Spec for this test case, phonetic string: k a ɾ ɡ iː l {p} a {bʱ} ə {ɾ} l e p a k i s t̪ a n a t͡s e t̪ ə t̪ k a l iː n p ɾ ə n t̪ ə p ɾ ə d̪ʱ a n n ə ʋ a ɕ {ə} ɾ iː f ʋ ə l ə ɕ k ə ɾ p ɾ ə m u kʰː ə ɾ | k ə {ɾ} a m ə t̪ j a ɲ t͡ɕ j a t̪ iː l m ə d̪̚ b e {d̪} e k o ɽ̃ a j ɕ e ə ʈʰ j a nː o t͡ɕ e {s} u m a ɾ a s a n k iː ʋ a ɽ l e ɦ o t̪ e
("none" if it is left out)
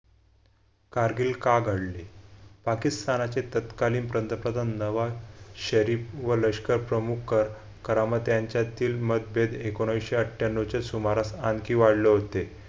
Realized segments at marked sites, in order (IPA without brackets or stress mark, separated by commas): k, ɡʱ, ɽ, ə, ɾ, d̪, s